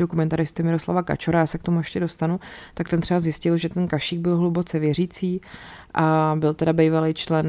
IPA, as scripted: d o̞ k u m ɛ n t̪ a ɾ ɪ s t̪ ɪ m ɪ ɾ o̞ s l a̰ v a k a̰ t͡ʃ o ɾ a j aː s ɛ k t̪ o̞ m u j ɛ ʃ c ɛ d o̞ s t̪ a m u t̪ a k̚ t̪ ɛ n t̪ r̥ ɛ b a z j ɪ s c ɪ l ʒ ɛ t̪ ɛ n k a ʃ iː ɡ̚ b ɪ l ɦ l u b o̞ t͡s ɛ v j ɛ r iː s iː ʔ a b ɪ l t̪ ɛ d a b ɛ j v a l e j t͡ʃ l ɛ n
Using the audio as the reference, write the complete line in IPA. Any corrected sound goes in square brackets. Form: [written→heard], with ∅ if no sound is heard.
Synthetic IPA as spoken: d o̞ k u m ɛ n t̪ a ɾ ɪ s t̪ ɪ m ɪ ɾ o̞ s l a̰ v a k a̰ t͡ʃ o ɾ a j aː s ɛ k t̪ o̞ m u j ɛ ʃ c ɛ d o̞ s t̪ a [m→n] u t̪ a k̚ t̪ ɛ n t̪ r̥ ɛ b a z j ɪ s c ɪ l ʒ ɛ t̪ ɛ n k a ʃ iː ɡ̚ b ɪ l ɦ l u b o̞ t͡s ɛ v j ɛ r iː [s→t͡s] iː ʔ a b ɪ l t̪ ɛ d a b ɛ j v a l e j t͡ʃ l ɛ n